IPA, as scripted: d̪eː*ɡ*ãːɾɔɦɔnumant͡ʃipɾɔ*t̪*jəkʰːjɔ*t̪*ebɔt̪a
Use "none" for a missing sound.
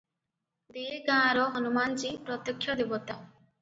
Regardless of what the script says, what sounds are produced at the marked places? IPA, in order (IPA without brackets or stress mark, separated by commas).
ɡ, t̪, d̪